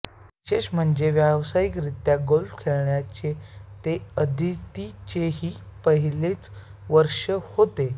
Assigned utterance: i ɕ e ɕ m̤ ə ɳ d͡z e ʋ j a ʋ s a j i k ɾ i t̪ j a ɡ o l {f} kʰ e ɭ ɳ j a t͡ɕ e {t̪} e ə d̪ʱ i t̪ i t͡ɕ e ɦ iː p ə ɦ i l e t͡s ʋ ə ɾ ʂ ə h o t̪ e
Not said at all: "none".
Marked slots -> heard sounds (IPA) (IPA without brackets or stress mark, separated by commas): f, t̪